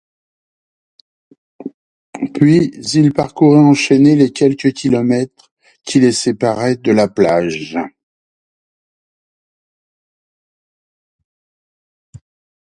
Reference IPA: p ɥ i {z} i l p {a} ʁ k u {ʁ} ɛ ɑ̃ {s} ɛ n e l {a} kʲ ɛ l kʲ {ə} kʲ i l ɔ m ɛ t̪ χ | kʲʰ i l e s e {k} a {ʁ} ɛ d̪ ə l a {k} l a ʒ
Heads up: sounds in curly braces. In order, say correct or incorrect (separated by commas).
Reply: correct, correct, correct, incorrect, incorrect, correct, incorrect, correct, incorrect